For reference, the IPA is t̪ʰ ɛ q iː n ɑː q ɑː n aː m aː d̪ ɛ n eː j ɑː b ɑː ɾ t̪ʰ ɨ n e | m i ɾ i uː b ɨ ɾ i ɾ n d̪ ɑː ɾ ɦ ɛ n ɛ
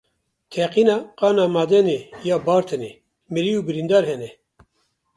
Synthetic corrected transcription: t̪ʰ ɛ q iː n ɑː q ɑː n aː m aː d̪ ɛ n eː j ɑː b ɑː ɾ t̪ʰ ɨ n e | m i ɾ i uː b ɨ ɾ i n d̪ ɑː ɾ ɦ ɛ n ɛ